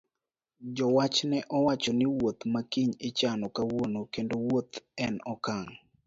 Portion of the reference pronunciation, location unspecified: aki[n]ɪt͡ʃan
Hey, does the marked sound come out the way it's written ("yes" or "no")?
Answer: no